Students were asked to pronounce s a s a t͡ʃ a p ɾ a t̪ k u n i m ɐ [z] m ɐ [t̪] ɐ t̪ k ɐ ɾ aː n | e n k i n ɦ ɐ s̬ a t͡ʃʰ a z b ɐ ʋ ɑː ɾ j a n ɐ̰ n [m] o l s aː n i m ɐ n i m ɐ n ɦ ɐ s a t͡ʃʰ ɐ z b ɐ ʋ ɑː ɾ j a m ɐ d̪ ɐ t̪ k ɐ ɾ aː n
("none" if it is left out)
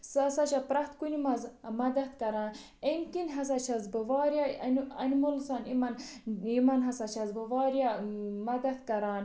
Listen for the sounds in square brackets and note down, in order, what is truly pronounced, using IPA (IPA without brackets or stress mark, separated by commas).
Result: z, d̪, m